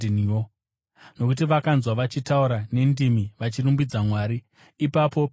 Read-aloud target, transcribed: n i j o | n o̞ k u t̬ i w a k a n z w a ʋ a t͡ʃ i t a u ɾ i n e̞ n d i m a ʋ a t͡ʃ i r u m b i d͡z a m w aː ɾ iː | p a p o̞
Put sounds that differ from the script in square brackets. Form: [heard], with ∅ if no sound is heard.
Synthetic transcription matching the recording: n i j o | n o̞ k u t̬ i [ʋ] a k a n z w a ʋ a t͡ʃ i t a u ɾ [a] n e̞ n d i m [i] ʋ a t͡ʃ i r u m b i d͡z a m w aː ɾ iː | p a p o̞